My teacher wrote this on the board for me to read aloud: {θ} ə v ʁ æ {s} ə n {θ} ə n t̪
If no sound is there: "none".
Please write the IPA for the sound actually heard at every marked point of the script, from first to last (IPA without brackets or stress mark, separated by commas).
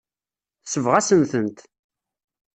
s, s, θ